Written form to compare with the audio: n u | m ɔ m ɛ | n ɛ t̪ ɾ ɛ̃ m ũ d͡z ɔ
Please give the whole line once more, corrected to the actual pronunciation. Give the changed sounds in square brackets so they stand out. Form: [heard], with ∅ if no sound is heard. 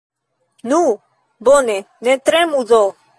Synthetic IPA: n u | [b] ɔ [n] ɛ | n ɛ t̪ ɾ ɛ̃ m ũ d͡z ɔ